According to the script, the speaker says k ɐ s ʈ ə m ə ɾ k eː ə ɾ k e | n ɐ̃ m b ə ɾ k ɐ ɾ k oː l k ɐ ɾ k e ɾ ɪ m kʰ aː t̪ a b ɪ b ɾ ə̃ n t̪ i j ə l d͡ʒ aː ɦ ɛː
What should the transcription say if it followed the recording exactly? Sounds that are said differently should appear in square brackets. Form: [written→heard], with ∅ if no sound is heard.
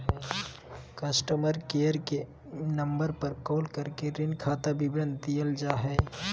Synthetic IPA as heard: k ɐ s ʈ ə m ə ɾ k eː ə ɾ k e | n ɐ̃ m b ə ɾ [k→p] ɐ ɾ k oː l k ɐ ɾ k e ɾ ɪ [m→n] kʰ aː t̪ a b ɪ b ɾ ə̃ n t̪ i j ə l d͡ʒ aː ɦ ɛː